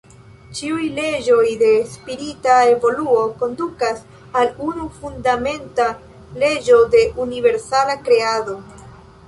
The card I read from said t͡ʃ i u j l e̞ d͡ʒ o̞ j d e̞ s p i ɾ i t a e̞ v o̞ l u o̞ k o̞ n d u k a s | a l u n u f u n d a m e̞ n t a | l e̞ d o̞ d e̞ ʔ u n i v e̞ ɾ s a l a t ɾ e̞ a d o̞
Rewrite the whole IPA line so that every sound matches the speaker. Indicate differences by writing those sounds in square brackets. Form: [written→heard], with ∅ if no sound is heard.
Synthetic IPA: t͡ʃ i u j l e̞ d͡ʒ o̞ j d e̞ s p i ɾ i t a e̞ v o̞ l u o̞ k o̞ n d u k a s | a l u n u f u n d a m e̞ n t a | l e̞ [d→d͡ʒ] o̞ d e̞ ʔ u n i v e̞ ɾ s a l a [t→k] ɾ e̞ a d o̞

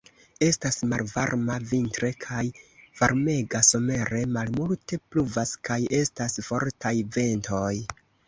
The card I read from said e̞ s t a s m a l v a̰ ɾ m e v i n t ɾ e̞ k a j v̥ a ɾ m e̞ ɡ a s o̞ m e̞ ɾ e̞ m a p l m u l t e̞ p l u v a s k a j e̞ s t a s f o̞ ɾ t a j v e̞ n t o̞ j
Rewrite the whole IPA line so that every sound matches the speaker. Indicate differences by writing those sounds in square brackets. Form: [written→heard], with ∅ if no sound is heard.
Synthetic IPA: e̞ s t a s m a l v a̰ ɾ m [e→a] v i n t ɾ e̞ [k→kʰ] a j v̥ a ɾ m e̞ ɡ a s o̞ m e̞ ɾ e̞ m a [p→∅] l m u l t e̞ p l u v a s k a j e̞ s t a s f o̞ ɾ t a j v e̞ n t o̞ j

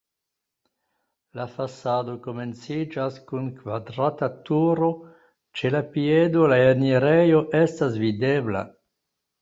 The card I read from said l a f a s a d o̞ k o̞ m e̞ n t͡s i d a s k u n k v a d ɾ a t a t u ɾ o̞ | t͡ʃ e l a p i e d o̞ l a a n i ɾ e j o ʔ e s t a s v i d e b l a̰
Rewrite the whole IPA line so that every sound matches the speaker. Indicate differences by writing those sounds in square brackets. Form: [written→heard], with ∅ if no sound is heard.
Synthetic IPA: l a f a s a d o̞ k o̞ m e̞ n t͡s i [d→d͡ʒ] a s k u n k v a d ɾ a t a t u ɾ o̞ | t͡ʃ e l a p i e d o̞ l a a n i ɾ e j o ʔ e s t a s v i d e b l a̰

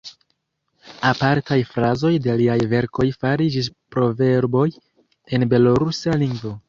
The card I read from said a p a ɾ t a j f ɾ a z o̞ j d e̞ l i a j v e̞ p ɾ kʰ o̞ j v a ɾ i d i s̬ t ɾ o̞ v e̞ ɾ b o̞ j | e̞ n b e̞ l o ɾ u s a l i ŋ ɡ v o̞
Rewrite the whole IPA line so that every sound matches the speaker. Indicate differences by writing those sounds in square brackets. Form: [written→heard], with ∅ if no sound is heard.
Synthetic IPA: a p a ɾ t a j f ɾ a z o̞ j d e̞ l i a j v e̞ [p→∅] ɾ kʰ o̞ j [v→f] a ɾ i [d→d͡ʒ] i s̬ [t→p] ɾ o̞ v e̞ ɾ b o̞ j | e̞ n b e̞ l o ɾ u s a l i ŋ ɡ v o̞

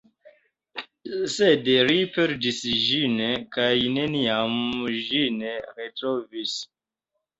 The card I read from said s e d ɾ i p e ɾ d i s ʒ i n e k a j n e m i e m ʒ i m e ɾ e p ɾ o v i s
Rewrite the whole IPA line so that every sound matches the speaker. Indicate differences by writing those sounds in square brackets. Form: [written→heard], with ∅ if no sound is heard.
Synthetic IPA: s e d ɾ i p e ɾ d i s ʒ i n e k a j n e [m→n] i [e→a] m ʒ i [m→n] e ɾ e [p→t] ɾ o v i s

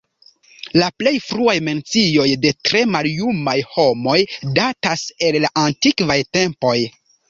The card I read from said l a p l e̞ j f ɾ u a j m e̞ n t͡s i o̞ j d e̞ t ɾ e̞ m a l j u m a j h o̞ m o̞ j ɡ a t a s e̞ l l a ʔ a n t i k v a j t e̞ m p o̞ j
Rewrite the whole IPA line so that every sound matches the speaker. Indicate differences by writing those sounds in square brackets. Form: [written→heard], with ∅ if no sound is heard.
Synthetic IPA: l a p l e̞ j f ɾ u a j m e̞ n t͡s i o̞ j d e̞ t ɾ e̞ m a l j u m a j h o̞ m o̞ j [ɡ→d] a t a s e̞ l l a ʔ a n t i k v a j t e̞ m p o̞ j

